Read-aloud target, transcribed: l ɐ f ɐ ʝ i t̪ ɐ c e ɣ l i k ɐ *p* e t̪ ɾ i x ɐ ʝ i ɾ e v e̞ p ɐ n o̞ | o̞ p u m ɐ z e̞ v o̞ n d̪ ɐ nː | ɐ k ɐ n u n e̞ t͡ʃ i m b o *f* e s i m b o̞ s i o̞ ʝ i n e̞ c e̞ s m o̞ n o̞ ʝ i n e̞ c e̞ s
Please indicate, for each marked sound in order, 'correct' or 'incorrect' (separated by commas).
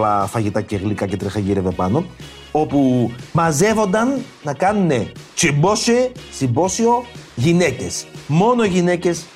incorrect, incorrect